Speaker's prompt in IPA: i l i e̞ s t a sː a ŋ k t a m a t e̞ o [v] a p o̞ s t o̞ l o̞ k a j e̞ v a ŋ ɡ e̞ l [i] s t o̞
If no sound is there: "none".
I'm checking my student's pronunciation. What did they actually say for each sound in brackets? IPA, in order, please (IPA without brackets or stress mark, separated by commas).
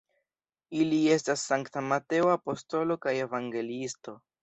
none, i